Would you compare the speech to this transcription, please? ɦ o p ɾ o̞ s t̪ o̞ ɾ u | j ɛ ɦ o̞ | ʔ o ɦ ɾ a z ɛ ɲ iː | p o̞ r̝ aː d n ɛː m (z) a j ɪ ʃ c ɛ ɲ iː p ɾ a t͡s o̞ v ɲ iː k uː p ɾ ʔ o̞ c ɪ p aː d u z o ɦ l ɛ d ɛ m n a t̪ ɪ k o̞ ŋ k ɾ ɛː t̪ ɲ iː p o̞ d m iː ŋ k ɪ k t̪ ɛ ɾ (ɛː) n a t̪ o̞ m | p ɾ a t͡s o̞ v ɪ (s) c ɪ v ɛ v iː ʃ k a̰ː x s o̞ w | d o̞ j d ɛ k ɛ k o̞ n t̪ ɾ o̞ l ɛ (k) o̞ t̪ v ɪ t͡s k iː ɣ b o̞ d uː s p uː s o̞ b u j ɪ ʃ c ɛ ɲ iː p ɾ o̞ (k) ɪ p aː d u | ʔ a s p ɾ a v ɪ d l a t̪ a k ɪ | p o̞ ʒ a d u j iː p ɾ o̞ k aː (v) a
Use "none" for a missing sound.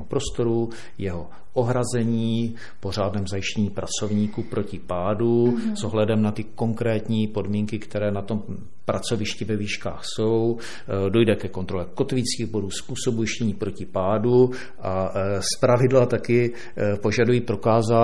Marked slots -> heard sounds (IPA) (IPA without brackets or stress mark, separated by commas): z, ɛː, ʃ, k, c, z